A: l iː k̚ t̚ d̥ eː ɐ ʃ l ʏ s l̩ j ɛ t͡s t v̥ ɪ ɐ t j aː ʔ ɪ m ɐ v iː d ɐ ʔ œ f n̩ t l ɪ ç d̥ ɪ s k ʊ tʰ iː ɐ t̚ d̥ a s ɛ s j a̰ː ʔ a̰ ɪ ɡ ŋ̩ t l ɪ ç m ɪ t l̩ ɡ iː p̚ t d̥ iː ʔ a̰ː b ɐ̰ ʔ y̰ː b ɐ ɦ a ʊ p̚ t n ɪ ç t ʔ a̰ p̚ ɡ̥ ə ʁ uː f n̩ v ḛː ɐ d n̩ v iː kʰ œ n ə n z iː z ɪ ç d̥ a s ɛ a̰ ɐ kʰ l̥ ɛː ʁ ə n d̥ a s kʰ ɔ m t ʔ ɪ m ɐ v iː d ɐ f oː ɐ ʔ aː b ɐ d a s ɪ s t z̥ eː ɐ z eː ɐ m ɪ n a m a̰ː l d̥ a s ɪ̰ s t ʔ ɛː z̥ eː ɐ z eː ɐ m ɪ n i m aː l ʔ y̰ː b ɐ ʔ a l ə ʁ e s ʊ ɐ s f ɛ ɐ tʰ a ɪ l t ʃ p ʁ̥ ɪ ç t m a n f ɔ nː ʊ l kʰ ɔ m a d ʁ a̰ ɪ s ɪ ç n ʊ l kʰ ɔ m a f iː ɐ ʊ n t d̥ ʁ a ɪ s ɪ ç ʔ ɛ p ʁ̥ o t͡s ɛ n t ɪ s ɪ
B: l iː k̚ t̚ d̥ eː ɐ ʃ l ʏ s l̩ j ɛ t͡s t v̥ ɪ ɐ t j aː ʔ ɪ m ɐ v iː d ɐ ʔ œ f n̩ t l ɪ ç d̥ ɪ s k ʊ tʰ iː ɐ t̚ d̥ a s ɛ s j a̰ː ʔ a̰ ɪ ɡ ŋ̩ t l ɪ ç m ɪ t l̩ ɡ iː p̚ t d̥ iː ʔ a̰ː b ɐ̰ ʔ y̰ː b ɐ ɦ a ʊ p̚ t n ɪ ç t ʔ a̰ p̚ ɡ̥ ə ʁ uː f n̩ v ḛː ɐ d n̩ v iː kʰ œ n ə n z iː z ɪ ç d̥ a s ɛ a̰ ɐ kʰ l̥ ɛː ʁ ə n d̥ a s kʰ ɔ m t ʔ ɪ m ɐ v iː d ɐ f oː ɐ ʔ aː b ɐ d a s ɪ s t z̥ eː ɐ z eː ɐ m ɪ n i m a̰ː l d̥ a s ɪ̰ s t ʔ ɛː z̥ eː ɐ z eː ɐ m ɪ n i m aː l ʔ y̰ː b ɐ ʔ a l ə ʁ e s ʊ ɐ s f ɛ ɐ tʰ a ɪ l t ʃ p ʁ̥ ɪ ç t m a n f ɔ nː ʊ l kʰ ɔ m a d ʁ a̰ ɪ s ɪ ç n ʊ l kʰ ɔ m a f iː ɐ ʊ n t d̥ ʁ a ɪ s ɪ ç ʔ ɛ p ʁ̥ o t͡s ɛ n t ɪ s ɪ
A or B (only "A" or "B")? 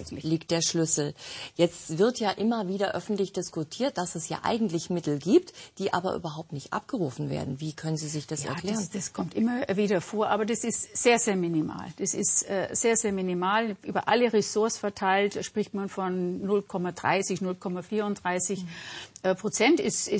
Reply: B